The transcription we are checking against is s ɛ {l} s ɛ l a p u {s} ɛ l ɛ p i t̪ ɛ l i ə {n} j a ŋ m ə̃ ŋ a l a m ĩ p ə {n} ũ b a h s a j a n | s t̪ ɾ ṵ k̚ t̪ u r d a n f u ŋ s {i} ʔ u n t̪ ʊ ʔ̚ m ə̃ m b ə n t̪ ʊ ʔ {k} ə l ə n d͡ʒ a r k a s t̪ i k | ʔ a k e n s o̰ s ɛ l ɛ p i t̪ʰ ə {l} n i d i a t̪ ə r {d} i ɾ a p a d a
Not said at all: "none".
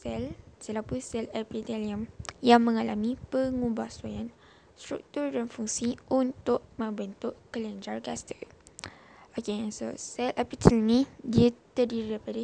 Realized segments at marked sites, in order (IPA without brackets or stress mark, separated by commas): l, s, m, ŋ, i, k, l, d